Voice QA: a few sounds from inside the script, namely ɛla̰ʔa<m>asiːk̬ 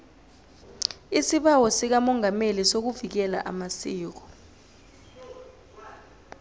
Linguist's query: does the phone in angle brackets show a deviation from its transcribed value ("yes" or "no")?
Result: no